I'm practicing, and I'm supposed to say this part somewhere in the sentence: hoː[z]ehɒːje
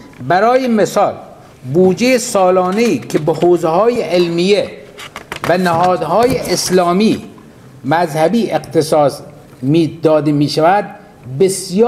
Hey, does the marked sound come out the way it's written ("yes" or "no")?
yes